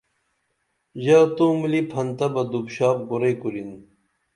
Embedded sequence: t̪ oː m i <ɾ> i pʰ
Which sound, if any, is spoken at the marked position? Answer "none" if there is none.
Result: l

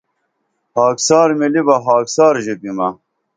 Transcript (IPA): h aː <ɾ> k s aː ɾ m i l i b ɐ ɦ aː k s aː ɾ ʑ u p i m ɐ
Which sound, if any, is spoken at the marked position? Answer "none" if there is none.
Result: none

